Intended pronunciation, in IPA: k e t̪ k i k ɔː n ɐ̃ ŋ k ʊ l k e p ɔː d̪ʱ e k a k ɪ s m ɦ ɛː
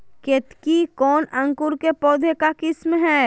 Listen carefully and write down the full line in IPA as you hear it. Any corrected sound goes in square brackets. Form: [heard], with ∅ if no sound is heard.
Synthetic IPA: k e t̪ k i k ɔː n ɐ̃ ŋ k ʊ [ɾ] k e p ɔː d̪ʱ e k a k ɪ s m ɦ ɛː